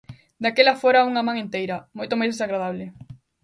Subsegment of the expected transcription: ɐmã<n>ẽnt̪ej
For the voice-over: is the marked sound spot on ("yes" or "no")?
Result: no